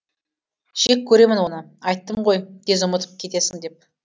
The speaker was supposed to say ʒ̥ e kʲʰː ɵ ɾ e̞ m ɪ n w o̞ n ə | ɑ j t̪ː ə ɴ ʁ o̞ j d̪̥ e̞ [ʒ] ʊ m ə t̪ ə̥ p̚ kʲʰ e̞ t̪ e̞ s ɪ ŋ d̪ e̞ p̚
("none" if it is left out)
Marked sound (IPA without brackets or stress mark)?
z